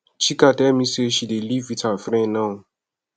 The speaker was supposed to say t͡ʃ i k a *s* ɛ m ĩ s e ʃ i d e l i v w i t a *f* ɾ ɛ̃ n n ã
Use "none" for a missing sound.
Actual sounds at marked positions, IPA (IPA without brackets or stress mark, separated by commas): t, f